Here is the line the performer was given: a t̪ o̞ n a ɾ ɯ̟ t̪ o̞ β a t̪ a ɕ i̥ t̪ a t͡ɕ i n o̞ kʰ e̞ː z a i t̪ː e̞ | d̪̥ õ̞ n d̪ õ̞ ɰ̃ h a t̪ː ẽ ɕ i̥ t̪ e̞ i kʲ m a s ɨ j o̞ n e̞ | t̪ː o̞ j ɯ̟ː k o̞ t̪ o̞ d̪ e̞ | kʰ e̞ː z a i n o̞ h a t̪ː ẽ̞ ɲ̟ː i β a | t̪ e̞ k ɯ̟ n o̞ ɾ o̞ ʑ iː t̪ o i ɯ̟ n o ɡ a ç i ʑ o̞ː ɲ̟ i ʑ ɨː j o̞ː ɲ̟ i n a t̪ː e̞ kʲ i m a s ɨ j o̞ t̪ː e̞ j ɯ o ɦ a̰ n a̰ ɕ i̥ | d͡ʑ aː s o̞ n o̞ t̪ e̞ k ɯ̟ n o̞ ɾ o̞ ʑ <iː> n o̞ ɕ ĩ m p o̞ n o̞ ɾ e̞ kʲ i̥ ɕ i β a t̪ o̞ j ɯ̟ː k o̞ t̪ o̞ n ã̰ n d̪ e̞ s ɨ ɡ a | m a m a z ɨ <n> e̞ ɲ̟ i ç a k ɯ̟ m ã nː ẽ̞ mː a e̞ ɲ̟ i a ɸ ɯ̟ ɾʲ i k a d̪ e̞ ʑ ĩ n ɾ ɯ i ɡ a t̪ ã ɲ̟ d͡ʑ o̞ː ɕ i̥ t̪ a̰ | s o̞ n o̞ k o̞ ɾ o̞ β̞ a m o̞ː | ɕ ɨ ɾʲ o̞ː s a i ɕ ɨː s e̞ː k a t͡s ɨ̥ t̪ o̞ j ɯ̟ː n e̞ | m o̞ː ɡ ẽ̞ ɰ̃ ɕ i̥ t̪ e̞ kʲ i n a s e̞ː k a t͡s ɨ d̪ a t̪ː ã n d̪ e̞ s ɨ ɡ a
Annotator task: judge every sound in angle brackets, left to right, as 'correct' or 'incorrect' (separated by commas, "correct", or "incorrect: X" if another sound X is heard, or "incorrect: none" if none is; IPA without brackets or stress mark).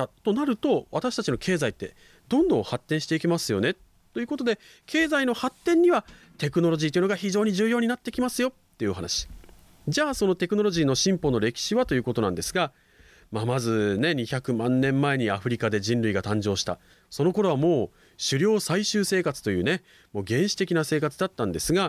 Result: correct, correct